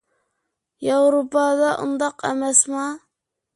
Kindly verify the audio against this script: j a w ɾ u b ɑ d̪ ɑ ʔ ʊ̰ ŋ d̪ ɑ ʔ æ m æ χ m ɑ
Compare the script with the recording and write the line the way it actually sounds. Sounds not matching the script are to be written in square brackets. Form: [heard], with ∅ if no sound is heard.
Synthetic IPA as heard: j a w ɾ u [p] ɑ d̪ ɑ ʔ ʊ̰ [n] d̪ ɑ [q] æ m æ [s] m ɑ

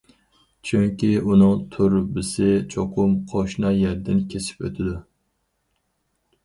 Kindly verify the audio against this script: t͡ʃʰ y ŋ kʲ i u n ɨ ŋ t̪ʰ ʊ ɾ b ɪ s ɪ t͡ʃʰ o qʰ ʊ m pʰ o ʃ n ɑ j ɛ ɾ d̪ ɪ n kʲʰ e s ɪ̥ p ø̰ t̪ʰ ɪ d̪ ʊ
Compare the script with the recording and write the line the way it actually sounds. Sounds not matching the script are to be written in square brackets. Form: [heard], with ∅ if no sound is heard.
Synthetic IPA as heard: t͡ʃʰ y ŋ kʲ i u n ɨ ŋ t̪ʰ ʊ ɾ b ɪ s ɪ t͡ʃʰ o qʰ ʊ m [qʰ] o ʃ n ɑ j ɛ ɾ d̪ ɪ n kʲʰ e s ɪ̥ p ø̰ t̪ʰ ɪ d̪ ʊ

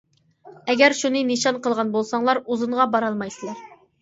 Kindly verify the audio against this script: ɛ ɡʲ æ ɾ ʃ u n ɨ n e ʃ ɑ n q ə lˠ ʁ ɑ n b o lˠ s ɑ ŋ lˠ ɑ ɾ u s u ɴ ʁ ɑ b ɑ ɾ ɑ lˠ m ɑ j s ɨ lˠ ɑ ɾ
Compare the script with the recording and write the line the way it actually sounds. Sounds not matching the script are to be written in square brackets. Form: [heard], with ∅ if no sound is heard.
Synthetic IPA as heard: ɛ ɡʲ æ ɾ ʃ u n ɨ n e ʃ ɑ n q ə lˠ ʁ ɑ n b o lˠ s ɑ ŋ lˠ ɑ ɾ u [z] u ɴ ʁ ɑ b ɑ ɾ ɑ lˠ m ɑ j s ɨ lˠ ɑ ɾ

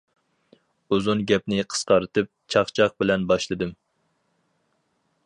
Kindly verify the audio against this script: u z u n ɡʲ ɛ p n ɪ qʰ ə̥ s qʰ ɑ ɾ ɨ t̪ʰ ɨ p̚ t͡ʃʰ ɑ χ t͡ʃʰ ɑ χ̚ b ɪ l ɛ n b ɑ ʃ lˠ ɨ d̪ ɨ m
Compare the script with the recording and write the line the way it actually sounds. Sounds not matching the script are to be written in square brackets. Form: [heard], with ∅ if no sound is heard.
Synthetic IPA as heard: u z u n ɡʲ ɛ p n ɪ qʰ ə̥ s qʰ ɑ ɾ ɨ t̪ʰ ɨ p̚ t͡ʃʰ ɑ χ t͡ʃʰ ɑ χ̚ b ɪ l ɛ n b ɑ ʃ lˠ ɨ d̪ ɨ m

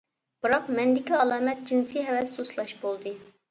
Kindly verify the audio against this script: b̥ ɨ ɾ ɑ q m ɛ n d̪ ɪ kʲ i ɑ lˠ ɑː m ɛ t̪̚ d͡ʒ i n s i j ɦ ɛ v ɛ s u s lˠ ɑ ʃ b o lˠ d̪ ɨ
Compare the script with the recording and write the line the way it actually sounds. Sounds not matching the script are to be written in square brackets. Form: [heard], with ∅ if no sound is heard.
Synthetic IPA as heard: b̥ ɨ ɾ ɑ q m ɛ n d̪ ɪ kʲ i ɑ lˠ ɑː m ɛ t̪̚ d͡ʒ i n s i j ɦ ɛ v ɛ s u s lˠ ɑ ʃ b o lˠ d̪ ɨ

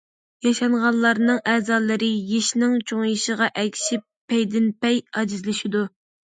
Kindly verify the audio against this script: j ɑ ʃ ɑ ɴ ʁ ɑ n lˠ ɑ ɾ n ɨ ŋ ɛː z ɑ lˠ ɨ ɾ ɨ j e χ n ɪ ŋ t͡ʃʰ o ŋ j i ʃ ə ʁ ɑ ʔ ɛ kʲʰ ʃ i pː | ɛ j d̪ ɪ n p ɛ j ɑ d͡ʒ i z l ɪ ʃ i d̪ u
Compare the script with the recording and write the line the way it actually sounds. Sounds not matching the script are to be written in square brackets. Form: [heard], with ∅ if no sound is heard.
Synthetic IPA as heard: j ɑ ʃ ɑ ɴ ʁ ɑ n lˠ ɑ ɾ n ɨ ŋ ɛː z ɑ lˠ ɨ ɾ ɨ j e [ʃ] n ɪ ŋ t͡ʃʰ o ŋ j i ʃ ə ʁ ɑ ʔ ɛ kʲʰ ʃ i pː | ɛ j d̪ ɪ n p ɛ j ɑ d͡ʒ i z l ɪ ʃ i d̪ u

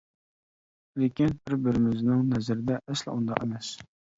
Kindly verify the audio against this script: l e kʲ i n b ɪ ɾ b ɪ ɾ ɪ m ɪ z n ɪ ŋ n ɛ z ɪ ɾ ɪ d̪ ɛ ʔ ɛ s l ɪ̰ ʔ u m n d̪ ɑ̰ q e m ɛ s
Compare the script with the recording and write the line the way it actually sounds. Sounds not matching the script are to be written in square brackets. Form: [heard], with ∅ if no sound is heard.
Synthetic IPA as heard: l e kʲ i n b ɪ ɾ b ɪ ɾ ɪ m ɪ z n ɪ ŋ n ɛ z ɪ ɾ ɪ d̪ ɛ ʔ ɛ s l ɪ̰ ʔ u [∅] n d̪ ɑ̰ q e m ɛ s

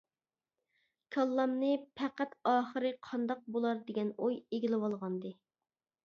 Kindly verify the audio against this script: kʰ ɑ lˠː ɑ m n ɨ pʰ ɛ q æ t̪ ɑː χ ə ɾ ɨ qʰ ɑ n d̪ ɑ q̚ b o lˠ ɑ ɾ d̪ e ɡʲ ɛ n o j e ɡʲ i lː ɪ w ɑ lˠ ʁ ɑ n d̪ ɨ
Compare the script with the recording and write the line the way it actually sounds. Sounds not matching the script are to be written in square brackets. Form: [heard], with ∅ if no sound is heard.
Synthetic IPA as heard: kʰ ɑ lˠː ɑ m n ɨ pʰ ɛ q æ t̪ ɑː χ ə ɾ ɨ qʰ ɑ n d̪ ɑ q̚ b o lˠ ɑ ɾ d̪ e ɡʲ ɛ n o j e ɡʲ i [l] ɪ w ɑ lˠ ʁ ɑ n d̪ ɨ

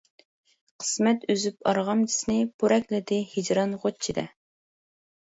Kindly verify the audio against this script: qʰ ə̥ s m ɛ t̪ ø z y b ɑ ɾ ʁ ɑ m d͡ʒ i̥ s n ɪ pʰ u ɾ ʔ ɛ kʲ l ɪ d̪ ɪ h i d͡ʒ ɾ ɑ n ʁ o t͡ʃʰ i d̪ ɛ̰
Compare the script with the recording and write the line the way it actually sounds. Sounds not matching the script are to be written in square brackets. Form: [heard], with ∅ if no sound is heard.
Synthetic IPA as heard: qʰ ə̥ s m ɛ t̪ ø z y [p] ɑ ɾ ʁ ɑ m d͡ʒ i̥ s n ɪ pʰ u ɾ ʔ ɛ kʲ l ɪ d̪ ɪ h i d͡ʒ ɾ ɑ n ʁ o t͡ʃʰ i d̪ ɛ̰

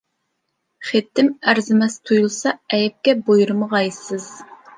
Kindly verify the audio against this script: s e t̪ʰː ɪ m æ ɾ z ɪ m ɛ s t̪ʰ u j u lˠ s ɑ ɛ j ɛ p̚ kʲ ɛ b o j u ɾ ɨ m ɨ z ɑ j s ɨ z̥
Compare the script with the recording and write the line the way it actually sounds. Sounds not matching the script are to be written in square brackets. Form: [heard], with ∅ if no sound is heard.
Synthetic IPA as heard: [χ] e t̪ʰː ɪ m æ ɾ z ɪ m ɛ s t̪ʰ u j u lˠ s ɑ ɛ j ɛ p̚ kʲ ɛ b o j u ɾ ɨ m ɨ [ʁ] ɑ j s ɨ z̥

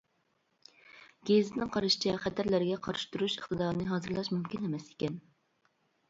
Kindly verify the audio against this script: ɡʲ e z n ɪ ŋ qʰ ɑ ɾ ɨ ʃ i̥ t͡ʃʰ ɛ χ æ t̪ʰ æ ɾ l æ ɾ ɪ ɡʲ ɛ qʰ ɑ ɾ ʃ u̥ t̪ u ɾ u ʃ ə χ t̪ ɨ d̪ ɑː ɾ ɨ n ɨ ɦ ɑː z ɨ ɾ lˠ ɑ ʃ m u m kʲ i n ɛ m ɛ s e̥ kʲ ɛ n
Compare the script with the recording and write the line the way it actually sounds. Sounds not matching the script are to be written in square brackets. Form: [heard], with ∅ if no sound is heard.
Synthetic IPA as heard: ɡʲ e z n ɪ ŋ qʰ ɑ ɾ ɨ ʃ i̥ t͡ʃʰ ɛ χ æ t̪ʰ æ ɾ l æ ɾ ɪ ɡʲ ɛ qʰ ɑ ɾ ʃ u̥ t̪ u ɾ u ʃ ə χ t̪ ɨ d̪ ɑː ɾ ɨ n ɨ ɦ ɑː z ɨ ɾ lˠ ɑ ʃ m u m kʲ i n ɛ m ɛ s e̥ kʲ ɛ n

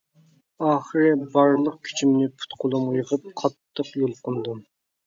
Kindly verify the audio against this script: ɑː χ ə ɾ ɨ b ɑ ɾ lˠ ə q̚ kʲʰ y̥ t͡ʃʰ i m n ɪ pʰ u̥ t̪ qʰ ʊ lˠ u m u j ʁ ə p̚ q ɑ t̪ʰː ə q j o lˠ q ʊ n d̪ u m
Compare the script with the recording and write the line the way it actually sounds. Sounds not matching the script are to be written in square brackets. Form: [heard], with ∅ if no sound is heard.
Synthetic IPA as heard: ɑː χ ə ɾ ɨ b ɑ ɾ lˠ ə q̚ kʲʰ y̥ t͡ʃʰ i m n ɪ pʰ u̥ t̪ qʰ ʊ lˠ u m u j ʁ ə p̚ [qʰ] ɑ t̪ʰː ə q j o lˠ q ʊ n d̪ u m

